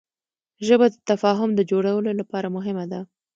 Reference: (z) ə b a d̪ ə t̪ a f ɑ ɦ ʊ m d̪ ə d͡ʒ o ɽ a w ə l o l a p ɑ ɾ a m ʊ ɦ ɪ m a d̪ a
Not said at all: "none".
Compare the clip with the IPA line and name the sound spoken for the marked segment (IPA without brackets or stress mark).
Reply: ʒ